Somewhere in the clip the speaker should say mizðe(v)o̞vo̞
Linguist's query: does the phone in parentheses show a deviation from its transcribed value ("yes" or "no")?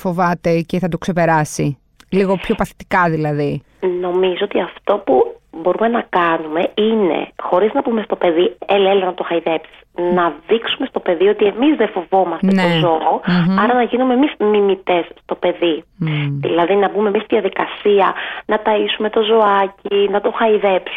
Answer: yes